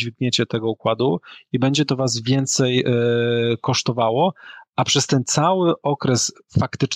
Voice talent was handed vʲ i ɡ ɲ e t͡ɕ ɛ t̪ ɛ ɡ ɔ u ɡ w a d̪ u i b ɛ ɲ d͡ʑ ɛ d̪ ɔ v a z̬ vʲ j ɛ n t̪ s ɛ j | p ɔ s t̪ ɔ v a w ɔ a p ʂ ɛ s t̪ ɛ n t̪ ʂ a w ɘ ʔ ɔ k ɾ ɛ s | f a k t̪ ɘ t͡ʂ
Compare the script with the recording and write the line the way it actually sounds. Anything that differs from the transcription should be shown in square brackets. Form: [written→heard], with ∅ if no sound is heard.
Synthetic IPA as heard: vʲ i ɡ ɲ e t͡ɕ ɛ t̪ ɛ ɡ ɔ u [ɡ→k] w a d̪ u i b ɛ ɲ d͡ʑ ɛ [d̪→t̪] ɔ v a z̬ vʲ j ɛ n t̪ s ɛ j | [p→k] ɔ [s→ʂ] t̪ ɔ v a w ɔ a p ʂ ɛ s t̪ ɛ n t̪ [ʂ→s] a w ɘ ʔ ɔ k ɾ ɛ s | f a k t̪ ɘ t͡ʂ